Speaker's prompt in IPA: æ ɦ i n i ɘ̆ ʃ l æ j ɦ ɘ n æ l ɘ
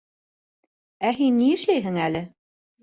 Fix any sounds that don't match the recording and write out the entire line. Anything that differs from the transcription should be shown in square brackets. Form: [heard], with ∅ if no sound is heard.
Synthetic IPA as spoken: æ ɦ i [nː] i ɘ̆ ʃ l æ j ɦ ɘ [ŋ] æ l ɘ